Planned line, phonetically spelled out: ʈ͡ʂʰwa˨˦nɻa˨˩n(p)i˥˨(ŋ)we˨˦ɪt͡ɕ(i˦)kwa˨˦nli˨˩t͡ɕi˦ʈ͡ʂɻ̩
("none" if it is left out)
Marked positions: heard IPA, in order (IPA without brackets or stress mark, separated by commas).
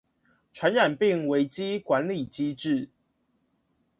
p, ŋ, i˦